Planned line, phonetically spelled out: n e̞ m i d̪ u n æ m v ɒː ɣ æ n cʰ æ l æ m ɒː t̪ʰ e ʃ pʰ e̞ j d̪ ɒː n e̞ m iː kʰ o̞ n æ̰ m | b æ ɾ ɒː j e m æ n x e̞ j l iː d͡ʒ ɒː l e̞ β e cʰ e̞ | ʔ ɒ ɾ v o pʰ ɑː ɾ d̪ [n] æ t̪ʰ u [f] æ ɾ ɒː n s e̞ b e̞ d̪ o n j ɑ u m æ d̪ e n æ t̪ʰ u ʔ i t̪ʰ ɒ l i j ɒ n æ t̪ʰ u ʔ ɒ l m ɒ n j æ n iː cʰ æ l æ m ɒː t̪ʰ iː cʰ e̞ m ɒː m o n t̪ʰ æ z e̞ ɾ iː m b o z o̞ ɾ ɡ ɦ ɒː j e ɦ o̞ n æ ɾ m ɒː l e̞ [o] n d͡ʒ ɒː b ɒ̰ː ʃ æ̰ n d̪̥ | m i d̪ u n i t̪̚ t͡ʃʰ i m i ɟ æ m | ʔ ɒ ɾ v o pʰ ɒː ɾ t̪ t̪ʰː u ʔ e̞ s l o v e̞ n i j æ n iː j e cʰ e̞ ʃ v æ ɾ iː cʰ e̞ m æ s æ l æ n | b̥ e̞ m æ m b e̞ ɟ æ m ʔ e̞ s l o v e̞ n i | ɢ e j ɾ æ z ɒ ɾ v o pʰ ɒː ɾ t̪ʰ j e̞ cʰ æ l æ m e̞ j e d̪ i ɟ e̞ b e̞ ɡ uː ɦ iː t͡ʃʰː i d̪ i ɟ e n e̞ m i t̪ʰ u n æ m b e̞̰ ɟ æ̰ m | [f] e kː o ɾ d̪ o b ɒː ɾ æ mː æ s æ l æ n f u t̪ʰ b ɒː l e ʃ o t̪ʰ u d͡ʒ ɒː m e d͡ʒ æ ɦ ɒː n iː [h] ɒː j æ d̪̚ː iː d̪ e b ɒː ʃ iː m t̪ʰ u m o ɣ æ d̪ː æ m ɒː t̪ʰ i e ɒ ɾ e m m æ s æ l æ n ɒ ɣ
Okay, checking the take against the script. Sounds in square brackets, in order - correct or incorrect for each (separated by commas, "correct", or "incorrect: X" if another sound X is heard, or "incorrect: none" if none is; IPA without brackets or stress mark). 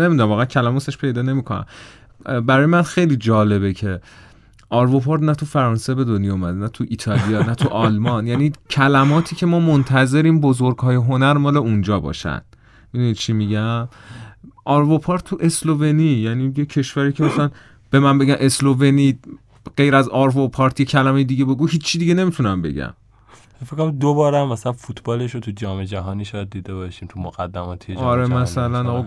correct, correct, incorrect: u, correct, incorrect: ʃ